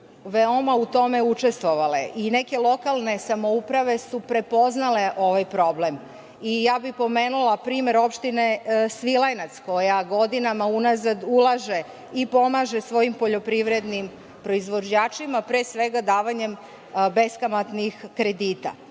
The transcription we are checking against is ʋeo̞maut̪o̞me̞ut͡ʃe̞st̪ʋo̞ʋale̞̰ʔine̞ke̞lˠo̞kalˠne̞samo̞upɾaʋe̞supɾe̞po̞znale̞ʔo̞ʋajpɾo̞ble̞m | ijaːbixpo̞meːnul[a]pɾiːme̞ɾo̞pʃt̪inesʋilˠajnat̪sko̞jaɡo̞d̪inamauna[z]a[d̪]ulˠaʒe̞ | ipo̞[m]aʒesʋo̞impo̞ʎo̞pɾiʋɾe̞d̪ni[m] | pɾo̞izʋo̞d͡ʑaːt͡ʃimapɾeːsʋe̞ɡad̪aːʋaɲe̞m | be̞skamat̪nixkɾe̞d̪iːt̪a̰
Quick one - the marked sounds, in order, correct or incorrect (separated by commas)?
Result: correct, correct, correct, correct, correct